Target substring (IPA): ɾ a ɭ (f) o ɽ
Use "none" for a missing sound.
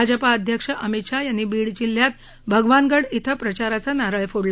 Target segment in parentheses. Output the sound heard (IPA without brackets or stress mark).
f